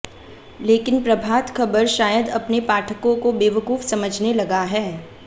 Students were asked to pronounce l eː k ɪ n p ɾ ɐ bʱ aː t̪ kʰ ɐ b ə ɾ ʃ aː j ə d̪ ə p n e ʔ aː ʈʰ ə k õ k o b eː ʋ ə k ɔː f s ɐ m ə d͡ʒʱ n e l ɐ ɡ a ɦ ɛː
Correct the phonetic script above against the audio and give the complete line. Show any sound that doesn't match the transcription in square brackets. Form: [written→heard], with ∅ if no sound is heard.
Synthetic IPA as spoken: l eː k ɪ n p ɾ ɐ bʱ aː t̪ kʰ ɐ b ə ɾ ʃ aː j ə d̪ [ə→ɐ] p n e [ʔ→p] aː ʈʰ ə k õ k o b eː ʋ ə k [ɔː→uː] f s ɐ m ə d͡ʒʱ n e l ɐ ɡ a ɦ ɛː